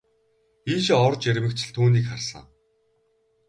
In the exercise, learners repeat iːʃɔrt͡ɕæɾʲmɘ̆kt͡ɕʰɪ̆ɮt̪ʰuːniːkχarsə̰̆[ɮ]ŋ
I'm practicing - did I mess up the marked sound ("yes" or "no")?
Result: yes